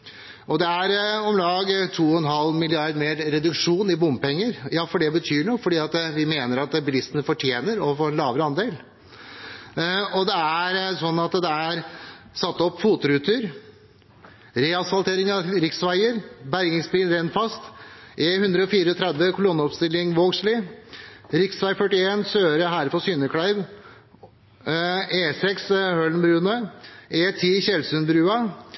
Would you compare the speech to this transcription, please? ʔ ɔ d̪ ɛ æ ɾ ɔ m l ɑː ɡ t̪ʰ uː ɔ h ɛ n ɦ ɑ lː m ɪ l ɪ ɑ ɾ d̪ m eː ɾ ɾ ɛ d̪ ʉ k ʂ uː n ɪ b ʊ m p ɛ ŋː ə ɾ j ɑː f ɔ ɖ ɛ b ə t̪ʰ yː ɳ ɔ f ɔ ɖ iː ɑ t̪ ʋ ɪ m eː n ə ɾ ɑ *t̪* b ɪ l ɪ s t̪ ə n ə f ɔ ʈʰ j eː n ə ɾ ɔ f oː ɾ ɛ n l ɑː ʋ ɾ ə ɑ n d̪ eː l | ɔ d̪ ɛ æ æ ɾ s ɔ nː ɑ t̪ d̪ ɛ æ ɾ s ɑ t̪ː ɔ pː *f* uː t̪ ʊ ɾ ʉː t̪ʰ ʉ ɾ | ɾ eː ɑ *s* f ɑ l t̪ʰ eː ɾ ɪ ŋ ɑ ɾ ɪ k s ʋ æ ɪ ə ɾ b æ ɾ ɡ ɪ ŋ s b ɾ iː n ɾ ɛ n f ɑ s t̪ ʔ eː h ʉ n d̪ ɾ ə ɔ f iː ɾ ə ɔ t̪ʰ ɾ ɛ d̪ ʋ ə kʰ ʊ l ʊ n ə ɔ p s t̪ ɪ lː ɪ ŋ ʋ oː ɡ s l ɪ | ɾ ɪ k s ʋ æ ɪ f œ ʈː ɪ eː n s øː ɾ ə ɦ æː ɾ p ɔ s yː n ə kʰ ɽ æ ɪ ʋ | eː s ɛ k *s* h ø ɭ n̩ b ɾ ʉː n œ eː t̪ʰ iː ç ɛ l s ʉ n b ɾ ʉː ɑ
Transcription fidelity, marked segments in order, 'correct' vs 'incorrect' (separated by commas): correct, correct, correct, correct